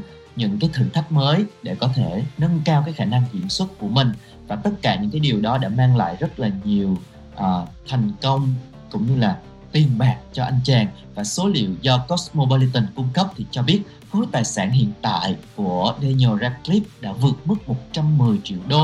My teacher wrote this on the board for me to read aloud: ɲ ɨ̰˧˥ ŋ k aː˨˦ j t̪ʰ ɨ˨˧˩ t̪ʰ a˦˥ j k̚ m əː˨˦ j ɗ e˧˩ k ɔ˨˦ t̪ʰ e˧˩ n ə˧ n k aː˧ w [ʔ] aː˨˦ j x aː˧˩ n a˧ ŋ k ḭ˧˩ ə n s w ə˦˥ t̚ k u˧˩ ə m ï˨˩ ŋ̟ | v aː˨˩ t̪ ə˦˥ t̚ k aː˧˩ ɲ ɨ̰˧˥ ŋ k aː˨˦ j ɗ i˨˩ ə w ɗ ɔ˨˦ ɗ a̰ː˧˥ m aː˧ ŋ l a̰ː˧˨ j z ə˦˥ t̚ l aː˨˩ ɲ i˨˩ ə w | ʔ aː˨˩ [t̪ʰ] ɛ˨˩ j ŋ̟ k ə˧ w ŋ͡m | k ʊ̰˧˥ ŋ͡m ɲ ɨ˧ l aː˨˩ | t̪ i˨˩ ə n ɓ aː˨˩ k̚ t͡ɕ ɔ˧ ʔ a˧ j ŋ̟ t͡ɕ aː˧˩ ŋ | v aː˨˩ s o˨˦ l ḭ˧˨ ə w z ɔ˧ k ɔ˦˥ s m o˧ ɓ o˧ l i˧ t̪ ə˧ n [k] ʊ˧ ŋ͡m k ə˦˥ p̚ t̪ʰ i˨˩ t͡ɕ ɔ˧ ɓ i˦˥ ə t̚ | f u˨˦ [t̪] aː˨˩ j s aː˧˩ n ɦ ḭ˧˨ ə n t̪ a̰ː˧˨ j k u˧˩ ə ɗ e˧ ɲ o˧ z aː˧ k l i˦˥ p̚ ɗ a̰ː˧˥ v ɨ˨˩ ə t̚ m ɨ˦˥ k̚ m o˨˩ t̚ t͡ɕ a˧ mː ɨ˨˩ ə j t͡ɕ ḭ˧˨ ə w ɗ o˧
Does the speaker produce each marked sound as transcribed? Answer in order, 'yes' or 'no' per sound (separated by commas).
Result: no, yes, yes, yes